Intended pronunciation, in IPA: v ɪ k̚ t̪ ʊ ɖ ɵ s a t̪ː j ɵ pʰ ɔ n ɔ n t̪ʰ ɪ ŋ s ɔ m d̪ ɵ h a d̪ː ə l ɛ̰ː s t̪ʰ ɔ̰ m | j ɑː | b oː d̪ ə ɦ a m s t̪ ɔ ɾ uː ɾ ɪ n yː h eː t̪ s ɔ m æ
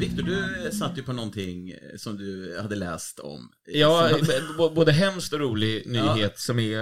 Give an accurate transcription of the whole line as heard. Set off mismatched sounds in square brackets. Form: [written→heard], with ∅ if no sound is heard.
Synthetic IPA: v ɪ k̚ t̪ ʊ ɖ ɵ s a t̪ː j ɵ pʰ ɔ n ɔ n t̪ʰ ɪ ŋ s ɔ m d̪ ɵ h a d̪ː ə l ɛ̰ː s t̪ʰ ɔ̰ m | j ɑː | b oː d̪ ə ɦ [a→ɛ] m s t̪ ɔ ɾ uː [ɾ→l] ɪ n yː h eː t̪ s ɔ m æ